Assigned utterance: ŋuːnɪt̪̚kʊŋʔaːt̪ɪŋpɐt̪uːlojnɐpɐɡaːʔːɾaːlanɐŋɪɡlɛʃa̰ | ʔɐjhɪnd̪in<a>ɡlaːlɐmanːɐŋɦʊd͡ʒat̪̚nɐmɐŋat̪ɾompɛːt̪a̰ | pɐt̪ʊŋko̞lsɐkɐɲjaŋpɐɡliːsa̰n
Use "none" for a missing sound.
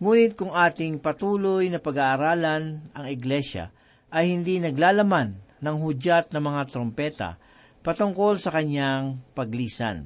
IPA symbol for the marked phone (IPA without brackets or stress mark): ɐ